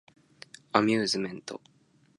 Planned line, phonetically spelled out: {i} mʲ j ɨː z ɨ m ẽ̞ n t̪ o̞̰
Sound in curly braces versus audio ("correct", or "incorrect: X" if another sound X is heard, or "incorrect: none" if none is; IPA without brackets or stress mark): incorrect: a